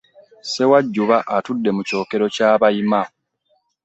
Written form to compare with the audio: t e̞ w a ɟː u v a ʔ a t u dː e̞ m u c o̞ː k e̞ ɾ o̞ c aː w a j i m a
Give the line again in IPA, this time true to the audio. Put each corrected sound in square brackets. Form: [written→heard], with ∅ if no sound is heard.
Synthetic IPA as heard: [t→s] e̞ w a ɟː u [v→β] a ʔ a t u dː e̞ m u c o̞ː k e̞ ɾ o̞ c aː [w→β] a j i m a